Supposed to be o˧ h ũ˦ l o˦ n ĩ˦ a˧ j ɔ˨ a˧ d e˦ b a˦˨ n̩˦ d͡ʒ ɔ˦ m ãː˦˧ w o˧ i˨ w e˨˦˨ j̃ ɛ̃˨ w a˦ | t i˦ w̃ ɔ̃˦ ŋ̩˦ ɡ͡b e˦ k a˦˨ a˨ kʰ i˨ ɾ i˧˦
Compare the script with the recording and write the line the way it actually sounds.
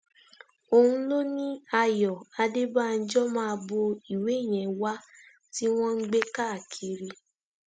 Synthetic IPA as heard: o˧ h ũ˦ l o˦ n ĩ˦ a˧ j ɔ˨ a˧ d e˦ b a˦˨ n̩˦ d͡ʒ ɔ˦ m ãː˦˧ b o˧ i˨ w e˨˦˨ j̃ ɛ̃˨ w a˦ | t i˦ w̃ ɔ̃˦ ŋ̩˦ ɡ͡b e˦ k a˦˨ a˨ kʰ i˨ ɾ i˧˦